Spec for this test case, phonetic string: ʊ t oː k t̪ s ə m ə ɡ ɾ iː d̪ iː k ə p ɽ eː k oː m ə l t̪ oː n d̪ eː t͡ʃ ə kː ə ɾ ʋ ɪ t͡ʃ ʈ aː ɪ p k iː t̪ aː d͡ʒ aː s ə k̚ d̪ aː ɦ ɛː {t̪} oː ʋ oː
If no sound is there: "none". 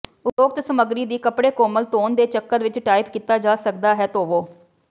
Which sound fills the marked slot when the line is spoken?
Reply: t̪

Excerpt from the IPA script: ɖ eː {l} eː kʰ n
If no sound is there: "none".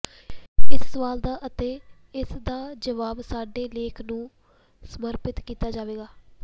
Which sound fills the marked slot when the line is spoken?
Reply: l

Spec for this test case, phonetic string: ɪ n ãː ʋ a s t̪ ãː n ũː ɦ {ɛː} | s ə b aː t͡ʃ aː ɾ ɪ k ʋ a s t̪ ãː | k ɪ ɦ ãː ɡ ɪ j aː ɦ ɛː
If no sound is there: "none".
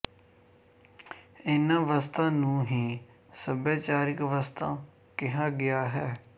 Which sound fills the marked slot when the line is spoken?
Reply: iː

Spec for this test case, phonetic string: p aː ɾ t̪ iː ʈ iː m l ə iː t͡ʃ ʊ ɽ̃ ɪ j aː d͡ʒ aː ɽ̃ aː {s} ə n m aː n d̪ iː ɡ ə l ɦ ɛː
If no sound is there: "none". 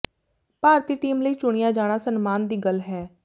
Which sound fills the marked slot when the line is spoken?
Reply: s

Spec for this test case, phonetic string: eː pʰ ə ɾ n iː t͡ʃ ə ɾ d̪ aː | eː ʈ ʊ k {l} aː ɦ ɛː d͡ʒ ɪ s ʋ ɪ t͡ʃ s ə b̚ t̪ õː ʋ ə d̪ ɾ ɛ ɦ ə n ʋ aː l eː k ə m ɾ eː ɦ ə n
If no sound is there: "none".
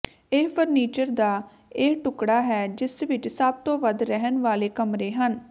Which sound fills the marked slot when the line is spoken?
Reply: ɽ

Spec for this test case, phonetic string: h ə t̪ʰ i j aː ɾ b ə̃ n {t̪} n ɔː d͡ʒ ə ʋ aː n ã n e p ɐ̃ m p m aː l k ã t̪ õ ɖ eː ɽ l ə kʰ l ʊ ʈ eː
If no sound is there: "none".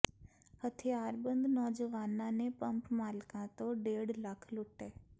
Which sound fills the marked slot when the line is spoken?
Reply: d̪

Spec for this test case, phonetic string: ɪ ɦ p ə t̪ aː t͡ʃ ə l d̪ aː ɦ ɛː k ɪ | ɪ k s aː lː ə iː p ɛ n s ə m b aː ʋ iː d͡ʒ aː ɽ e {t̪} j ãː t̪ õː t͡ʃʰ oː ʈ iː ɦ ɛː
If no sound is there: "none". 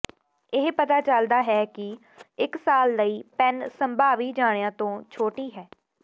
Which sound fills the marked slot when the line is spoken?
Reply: none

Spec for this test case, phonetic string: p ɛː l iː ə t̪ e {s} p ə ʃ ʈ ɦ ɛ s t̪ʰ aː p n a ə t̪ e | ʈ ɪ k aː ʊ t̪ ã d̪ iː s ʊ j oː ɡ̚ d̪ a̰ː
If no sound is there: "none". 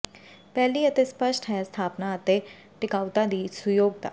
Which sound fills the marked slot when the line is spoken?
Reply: s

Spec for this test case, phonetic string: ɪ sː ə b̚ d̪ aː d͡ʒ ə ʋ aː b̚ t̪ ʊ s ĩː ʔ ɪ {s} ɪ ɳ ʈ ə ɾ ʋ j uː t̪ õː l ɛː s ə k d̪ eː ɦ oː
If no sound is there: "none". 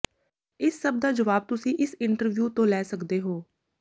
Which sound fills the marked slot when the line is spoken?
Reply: s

